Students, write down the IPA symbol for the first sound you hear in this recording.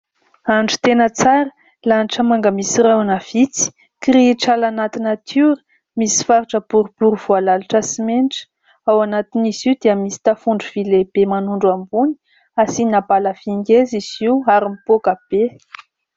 a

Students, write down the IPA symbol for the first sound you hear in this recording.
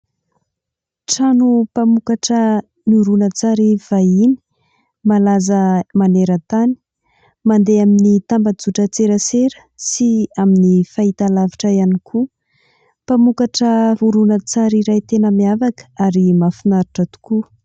ʈ͡ʂ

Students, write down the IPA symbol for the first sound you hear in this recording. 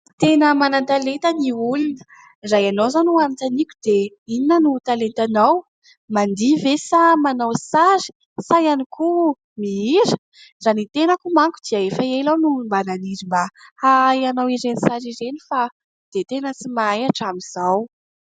t̪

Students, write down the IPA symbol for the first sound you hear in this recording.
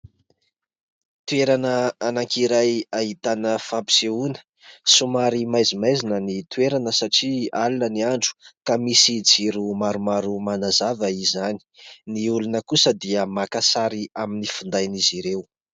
t̪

